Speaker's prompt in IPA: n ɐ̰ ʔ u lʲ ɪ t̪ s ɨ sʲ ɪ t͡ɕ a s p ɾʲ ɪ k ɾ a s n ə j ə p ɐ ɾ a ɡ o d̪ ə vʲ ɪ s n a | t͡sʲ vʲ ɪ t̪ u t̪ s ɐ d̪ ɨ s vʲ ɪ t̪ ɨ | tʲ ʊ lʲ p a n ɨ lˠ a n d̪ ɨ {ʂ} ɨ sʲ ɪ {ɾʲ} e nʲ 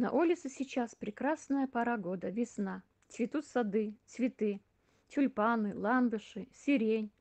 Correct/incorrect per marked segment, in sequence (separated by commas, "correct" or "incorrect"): correct, correct